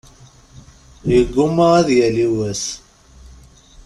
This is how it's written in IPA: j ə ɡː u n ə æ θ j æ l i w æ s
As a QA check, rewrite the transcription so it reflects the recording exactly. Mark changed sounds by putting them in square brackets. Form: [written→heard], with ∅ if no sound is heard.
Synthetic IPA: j ə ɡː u [n→m] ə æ [θ→ð] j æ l i w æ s